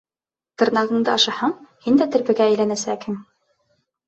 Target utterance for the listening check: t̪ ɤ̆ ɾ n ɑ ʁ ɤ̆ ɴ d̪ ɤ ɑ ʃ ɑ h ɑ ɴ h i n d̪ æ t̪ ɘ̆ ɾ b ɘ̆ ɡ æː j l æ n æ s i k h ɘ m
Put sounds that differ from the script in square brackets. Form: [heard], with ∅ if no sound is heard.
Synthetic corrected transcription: t̪ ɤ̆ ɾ n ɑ ʁ ɤ̆ ɴ d̪ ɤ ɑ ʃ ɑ h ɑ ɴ h i n d̪ æ t̪ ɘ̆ ɾ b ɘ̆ ɡ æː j l æ n æ s [æ] k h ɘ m

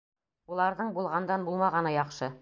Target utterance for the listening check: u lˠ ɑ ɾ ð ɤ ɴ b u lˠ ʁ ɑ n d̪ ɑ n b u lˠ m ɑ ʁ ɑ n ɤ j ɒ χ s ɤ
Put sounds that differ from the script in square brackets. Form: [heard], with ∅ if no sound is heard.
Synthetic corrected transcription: u lˠ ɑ ɾ ð ɤ ɴ b u lˠ ʁ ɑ n d̪ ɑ n b u lˠ m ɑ ʁ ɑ n ɤ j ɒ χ [ʃ] ɤ

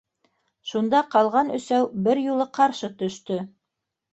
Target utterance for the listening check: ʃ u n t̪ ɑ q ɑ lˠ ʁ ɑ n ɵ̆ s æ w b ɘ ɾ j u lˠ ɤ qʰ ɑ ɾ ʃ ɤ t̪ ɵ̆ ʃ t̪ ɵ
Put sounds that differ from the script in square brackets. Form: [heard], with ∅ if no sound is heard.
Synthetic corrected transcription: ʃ u n [d̪] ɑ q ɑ lˠ ʁ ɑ n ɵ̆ s æ w b ɘ ɾ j u lˠ ɤ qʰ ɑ ɾ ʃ ɤ t̪ ɵ̆ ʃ t̪ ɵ

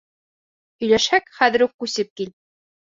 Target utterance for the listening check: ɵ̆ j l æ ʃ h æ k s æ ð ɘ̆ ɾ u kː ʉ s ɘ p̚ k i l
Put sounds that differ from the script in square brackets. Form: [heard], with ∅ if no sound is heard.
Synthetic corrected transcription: ɵ̆ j l æ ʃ h æ k [χ] æ ð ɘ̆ ɾ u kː ʉ s ɘ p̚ k i l

